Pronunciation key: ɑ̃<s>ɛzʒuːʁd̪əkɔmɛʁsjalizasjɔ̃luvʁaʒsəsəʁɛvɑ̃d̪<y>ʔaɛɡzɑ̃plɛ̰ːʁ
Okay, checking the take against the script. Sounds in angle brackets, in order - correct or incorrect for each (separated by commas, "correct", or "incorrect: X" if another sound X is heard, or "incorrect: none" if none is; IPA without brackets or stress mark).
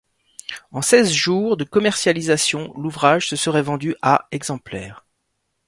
correct, correct